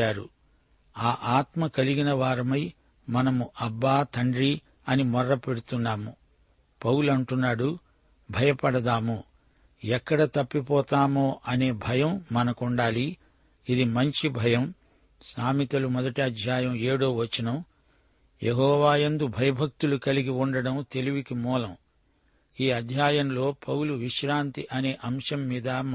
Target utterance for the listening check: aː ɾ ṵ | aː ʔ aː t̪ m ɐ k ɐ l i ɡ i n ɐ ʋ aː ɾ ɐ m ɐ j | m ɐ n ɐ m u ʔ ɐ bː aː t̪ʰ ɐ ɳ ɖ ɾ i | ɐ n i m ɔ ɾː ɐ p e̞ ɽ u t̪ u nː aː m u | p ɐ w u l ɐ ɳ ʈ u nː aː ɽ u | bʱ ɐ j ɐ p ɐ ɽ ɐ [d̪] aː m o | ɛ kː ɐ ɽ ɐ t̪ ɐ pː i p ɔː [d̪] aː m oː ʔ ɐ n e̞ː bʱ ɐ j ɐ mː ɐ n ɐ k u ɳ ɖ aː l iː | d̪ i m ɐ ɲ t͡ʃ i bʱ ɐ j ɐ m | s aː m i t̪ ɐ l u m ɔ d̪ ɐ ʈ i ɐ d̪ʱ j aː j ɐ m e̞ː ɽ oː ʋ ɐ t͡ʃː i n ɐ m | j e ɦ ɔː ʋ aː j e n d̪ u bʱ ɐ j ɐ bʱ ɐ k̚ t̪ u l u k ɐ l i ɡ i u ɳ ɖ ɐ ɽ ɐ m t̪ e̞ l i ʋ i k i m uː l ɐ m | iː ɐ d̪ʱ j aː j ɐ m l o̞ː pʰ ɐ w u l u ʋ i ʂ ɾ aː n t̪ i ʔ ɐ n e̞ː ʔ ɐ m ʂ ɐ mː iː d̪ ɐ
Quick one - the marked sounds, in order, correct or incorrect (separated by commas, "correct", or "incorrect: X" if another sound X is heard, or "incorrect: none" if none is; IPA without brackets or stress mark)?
correct, incorrect: t̪